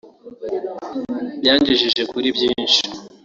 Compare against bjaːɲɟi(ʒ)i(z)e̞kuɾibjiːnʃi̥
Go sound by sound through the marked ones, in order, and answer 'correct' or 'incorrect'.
correct, incorrect: ʒ

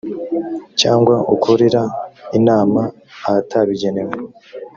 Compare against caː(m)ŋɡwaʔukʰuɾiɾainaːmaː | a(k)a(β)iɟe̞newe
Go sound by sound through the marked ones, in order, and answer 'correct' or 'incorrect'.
incorrect: none, incorrect: t, correct

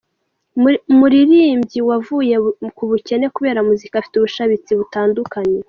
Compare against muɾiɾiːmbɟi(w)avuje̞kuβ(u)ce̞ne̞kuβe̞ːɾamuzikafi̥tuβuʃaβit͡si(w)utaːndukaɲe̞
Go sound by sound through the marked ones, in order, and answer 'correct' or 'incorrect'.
correct, correct, incorrect: β

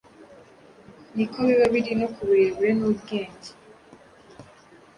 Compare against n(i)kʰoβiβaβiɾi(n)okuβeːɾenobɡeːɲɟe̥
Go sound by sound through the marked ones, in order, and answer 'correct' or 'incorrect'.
correct, correct

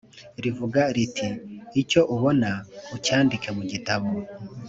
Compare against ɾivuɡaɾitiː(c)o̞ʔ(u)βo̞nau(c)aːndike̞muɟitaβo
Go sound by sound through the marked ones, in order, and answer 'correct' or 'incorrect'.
correct, correct, correct

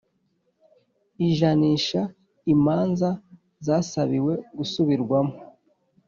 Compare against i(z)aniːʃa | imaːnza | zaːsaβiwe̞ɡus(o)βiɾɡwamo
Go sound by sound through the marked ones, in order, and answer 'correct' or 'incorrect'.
incorrect: ʒ, incorrect: u

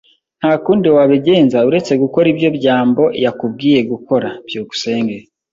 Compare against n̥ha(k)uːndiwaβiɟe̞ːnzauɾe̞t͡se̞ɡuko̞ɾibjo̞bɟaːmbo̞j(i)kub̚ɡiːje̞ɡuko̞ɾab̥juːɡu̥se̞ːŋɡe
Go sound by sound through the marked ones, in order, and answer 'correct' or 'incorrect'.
correct, incorrect: a

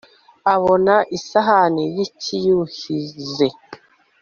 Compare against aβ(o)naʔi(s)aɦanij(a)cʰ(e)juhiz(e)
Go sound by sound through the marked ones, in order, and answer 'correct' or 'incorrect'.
correct, correct, incorrect: i, incorrect: i, correct

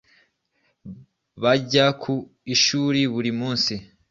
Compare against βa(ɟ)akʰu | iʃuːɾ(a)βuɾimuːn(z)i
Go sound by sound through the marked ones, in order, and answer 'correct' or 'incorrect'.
correct, incorrect: i, incorrect: s

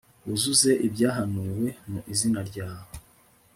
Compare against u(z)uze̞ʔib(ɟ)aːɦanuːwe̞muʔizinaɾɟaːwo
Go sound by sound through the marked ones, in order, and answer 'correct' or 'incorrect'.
correct, correct

